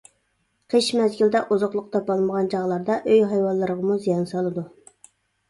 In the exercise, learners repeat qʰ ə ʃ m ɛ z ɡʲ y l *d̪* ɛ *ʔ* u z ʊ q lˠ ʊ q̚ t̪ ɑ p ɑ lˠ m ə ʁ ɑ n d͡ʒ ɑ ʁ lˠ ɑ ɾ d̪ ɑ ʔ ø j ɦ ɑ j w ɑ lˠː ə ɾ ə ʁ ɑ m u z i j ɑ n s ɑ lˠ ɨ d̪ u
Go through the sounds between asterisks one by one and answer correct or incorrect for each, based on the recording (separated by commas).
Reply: correct, correct